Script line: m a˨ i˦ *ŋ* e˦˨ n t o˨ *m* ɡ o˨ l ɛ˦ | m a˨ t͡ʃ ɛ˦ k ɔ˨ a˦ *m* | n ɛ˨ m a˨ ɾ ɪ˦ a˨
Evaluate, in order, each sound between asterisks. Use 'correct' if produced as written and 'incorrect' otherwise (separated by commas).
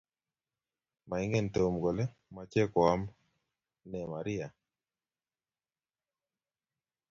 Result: correct, correct, correct